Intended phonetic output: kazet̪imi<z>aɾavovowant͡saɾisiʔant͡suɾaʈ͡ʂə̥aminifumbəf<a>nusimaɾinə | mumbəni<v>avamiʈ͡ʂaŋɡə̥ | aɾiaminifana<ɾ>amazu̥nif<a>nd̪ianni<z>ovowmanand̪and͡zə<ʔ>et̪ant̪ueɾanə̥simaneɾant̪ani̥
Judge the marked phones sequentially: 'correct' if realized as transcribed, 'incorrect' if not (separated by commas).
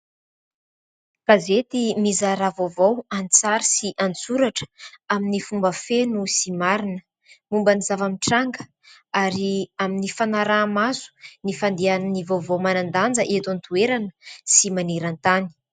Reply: correct, incorrect, incorrect, correct, correct, incorrect, correct